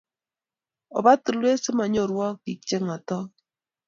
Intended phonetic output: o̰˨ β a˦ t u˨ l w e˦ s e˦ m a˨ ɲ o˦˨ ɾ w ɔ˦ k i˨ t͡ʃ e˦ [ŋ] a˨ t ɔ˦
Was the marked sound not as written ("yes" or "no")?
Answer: no